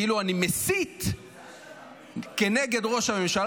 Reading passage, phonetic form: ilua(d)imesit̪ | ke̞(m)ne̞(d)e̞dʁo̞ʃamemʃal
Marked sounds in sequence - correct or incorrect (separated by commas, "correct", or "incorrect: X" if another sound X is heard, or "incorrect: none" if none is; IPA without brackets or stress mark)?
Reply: incorrect: n, incorrect: none, incorrect: ɡ